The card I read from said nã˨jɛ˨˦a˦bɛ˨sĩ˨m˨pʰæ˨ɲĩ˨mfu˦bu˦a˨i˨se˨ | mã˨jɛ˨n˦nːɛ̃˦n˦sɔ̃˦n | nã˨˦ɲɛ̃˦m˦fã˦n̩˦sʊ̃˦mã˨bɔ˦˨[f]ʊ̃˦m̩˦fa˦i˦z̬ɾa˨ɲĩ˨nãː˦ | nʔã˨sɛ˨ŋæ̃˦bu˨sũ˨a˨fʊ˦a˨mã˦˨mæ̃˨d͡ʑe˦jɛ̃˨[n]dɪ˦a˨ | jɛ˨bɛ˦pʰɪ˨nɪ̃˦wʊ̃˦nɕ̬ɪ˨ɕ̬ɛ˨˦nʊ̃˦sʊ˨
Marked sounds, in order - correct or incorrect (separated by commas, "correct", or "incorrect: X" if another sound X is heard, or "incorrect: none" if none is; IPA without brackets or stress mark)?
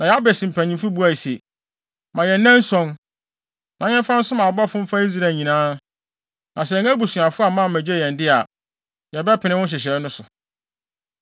correct, correct